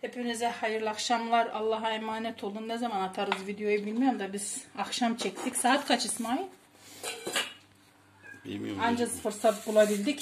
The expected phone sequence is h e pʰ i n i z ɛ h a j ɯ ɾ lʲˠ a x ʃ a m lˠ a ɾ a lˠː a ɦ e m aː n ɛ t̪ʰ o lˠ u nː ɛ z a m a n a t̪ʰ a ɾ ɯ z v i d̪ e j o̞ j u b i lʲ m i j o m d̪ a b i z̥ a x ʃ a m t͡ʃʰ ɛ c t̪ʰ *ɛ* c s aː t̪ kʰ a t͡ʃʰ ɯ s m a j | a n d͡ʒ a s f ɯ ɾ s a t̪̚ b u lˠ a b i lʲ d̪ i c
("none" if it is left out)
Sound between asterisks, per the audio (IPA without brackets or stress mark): i